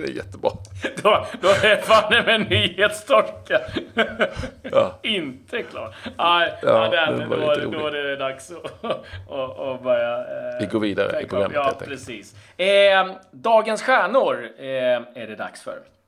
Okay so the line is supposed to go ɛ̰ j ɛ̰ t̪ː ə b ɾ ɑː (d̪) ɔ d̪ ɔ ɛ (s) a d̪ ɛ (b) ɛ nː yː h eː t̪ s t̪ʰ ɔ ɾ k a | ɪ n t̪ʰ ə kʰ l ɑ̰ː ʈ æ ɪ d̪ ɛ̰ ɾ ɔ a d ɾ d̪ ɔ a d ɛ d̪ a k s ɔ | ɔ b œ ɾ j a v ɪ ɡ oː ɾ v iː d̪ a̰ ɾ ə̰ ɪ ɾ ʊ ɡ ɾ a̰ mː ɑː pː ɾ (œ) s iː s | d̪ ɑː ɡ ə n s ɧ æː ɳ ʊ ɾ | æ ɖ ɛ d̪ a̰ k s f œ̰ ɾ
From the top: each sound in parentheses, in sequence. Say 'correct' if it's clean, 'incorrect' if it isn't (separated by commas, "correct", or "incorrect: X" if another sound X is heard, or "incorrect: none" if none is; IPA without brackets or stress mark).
correct, incorrect: f, incorrect: m, incorrect: ɛ